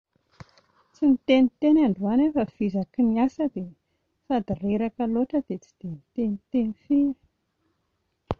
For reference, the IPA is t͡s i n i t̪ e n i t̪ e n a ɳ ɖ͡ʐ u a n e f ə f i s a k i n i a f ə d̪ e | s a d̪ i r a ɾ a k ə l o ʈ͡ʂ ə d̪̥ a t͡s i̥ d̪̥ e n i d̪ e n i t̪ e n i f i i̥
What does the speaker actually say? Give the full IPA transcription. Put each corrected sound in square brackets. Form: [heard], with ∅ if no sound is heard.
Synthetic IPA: t͡s i n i t̪ e n i t̪ e n a ɳ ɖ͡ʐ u a n e f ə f i [z] a k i n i a [s] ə d̪ e | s a d̪ i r [e] ɾ a k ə l o ʈ͡ʂ ə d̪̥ [e] t͡s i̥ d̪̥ e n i [t̪] e n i t̪ e n i f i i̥